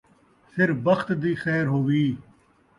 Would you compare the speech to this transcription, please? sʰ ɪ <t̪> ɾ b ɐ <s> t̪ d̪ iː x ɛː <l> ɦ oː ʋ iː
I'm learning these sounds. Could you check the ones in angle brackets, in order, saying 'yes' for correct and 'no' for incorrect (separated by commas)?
no, no, no